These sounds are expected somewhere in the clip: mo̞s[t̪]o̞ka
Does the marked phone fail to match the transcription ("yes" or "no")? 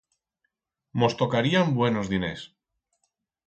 no